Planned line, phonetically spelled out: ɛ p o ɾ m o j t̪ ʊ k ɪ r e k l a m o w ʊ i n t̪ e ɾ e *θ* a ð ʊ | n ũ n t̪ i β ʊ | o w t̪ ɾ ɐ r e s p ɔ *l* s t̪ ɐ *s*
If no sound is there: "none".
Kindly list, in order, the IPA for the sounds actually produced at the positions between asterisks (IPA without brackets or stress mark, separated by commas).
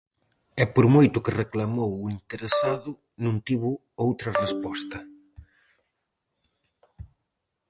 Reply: s, none, none